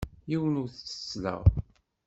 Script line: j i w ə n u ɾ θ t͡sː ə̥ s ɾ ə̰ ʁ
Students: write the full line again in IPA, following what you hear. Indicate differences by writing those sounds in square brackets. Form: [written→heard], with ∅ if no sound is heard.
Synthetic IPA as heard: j i w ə n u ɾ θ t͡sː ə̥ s [ɾ→l] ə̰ ʁ